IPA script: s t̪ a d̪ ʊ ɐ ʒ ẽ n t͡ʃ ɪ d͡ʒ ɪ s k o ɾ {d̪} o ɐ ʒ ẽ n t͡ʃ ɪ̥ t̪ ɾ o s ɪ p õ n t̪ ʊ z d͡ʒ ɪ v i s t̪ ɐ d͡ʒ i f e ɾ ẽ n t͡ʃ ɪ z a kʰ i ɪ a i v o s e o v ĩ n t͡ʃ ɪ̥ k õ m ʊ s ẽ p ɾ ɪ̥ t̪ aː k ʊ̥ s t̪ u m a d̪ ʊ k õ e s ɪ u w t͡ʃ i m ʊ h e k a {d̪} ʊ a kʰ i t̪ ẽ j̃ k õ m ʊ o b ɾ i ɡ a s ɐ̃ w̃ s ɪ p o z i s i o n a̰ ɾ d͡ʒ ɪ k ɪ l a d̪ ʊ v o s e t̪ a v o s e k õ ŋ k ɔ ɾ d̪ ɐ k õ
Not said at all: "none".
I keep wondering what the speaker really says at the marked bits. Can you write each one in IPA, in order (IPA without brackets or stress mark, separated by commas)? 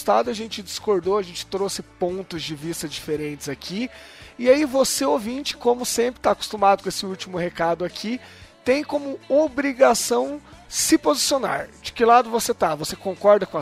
d̪, d̪